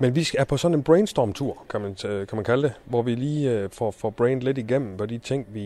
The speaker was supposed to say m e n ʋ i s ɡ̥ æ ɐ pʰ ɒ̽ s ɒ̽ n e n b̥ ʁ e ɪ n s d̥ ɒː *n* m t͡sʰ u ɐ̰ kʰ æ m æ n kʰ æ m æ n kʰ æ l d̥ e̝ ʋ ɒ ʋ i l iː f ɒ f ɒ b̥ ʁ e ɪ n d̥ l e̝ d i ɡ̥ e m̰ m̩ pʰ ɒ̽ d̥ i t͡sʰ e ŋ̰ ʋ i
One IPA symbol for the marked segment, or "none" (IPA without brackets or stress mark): none